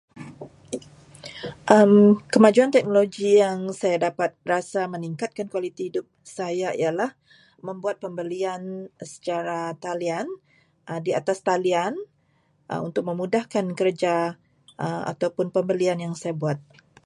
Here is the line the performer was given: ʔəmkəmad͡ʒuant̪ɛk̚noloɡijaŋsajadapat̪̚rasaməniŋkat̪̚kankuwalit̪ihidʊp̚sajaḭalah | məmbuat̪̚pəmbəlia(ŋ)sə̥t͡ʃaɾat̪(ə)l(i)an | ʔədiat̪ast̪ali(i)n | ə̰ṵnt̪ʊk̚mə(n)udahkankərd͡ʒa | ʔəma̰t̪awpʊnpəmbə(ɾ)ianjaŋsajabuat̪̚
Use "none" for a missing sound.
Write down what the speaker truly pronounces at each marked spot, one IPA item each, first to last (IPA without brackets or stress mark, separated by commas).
n, a, i, a, m, l